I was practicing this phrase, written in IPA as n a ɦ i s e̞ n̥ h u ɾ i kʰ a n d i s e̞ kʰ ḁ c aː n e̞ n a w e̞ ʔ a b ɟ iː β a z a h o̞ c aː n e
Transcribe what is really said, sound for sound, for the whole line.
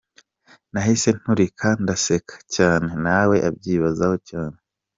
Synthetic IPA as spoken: n a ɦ i s e̞ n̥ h u ɾ i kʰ a n d a s e̞ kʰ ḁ c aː n e̞ n a w e̞ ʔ a b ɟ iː β a z a h o̞ c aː n e